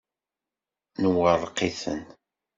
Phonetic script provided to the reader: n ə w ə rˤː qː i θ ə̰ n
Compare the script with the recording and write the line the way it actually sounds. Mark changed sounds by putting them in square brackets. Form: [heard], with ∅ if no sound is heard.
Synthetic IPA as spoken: n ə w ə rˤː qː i θ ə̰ n